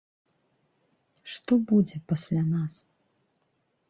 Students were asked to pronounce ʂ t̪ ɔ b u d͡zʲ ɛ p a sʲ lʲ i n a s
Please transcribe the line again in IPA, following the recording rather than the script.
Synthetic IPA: ʂ t̪ ɔ b u d͡zʲ ɛ p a sʲ lʲ a n a s

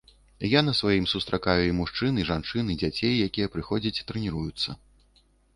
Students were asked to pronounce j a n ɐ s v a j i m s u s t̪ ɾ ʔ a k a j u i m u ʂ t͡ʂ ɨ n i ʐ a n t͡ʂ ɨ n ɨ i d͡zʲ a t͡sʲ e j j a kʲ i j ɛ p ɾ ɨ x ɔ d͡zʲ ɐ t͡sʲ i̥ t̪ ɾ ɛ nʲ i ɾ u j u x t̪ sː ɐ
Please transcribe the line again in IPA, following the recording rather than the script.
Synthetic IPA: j a n ɐ s v a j i m s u s t̪ ɾ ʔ a k a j u i m u ʂ t͡ʂ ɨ n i ʐ a n t͡ʂ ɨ n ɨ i d͡zʲ a t͡sʲ e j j a kʲ i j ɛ p ɾ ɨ x ɔ d͡zʲ ɐ t͡sʲ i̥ t̪ ɾ ɛ nʲ i ɾ u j u t̪ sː ɐ

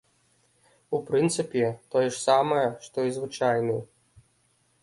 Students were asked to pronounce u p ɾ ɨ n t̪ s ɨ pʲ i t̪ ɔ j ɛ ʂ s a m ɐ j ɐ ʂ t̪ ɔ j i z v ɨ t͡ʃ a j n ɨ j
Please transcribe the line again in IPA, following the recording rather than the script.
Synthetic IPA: u p ɾ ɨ n t̪ s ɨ pʲ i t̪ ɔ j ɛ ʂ s a m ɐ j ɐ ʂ t̪ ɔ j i z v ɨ t͡ʃ a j n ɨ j

